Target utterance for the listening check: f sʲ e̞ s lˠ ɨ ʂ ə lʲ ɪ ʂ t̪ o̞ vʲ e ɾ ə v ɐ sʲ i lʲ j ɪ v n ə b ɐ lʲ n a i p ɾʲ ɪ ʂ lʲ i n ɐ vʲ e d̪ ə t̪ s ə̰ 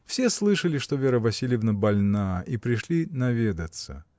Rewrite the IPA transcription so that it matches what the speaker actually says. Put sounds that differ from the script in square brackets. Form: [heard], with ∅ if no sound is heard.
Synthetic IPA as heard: f sʲ e̞ s lˠ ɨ ʂ ə lʲ ɪ ʂ t̪ o̞ vʲ e ɾ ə v ɐ sʲ i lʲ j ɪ v n ə b ɐ lʲ n a i p ɾʲ ɪ ʂ lʲ i n ɐ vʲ e d̪ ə t̪ s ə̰